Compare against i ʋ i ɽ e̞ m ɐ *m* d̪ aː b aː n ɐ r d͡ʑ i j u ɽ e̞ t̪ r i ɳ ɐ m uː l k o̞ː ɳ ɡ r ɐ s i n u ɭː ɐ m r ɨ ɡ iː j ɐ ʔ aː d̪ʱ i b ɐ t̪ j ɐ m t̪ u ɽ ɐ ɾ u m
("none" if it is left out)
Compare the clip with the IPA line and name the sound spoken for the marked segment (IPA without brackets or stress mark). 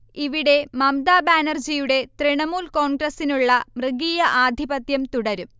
m